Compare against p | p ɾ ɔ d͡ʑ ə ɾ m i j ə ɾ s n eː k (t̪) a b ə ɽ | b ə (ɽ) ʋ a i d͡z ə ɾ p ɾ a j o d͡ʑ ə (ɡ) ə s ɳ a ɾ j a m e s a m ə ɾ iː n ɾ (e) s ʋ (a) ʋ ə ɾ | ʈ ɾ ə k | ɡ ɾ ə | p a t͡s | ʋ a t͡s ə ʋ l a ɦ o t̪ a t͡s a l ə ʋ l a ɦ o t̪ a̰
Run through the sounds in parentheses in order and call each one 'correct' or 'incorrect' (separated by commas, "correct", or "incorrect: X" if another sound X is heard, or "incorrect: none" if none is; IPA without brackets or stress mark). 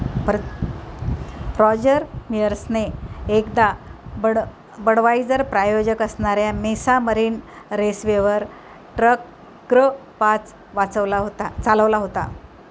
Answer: incorrect: d̪, correct, incorrect: k, correct, incorrect: e